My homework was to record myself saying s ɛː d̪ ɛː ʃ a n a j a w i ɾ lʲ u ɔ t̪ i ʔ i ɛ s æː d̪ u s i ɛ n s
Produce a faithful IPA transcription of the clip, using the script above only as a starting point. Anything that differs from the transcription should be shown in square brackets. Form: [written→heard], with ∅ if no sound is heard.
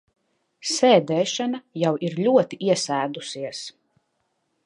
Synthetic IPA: s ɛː d̪ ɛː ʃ a n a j a w i ɾ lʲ u ɔ t̪ i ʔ i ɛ s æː d̪ u s i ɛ [n→∅] s